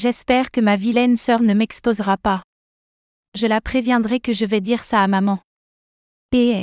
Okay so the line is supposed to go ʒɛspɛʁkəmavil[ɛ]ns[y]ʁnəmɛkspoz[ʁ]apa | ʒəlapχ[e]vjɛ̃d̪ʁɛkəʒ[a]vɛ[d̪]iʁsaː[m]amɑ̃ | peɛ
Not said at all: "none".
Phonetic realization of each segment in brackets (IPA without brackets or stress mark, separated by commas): ɛ, œ, ʁ, e, ə, d̪, m